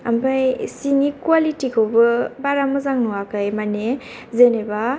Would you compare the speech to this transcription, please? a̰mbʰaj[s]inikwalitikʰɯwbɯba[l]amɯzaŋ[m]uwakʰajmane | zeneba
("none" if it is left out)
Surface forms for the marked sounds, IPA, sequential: s, ɾ, n

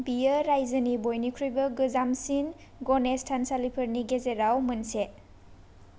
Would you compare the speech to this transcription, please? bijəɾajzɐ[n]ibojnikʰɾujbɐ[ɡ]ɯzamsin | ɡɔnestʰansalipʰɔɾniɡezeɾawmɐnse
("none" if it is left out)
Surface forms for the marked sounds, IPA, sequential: n, ɡ

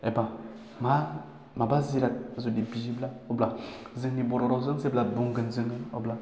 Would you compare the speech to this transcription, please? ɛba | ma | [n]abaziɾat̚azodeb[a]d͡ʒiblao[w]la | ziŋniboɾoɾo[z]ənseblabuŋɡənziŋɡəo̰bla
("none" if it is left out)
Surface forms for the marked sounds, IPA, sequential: m, i, b, z

